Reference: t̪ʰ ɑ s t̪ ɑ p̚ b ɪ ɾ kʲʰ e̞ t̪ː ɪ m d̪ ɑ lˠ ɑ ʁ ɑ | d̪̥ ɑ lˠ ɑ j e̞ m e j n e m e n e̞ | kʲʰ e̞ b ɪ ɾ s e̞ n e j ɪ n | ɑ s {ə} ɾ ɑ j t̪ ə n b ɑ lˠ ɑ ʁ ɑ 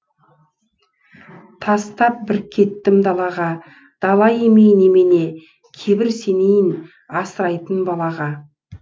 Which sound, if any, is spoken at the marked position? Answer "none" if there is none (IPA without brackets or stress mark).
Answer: ə